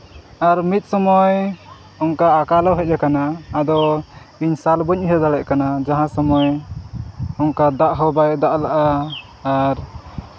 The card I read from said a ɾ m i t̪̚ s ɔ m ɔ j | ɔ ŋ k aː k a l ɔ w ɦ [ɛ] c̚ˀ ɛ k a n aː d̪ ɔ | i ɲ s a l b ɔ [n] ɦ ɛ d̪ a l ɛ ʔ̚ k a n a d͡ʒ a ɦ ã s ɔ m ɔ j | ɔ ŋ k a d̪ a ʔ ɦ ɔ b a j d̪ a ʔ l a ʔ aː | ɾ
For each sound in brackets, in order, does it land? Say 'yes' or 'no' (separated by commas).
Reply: yes, no